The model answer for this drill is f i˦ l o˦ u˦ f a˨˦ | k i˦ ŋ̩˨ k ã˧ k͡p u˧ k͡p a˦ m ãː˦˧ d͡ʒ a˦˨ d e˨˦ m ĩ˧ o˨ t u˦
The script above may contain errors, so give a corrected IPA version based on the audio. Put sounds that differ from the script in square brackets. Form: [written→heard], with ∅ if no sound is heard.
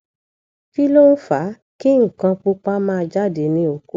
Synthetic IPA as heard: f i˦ l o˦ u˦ f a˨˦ | k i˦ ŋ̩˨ k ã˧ k͡p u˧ k͡p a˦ m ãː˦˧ d͡ʒ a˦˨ d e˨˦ [m→n] ĩ˧ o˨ [t→k] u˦